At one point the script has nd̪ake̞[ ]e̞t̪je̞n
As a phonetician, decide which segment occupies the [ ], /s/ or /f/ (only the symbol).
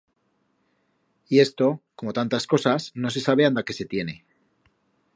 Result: s